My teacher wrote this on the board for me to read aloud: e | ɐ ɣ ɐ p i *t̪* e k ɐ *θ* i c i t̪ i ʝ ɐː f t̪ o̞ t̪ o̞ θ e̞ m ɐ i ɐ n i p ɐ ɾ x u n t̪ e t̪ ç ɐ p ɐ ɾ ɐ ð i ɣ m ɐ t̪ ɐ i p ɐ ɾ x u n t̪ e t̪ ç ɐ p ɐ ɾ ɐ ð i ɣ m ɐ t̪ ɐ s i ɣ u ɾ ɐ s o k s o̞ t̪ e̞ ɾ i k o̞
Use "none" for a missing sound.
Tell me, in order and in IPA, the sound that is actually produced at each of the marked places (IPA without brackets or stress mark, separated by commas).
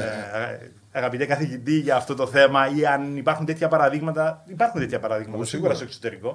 t̪, θ